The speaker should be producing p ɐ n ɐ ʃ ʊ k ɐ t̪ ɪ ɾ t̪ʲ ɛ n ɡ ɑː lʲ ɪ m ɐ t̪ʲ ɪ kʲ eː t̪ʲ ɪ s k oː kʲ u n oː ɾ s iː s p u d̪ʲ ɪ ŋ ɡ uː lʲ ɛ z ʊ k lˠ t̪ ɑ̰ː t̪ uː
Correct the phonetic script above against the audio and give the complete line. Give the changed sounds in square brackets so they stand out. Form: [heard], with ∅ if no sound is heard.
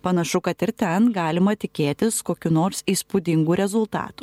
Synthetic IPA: p ɐ n ɐ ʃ ʊ k ɐ t̪ ɪ ɾ t̪ʲ ɛ n ɡ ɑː lʲ ɪ m ɐ t̪ʲ ɪ kʲ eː t̪ʲ ɪ s k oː kʲ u n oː ɾ s iː s p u d̪ʲ ɪ ŋ ɡ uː [ɾʲ] ɛ z ʊ [∅] lˠ t̪ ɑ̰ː t̪ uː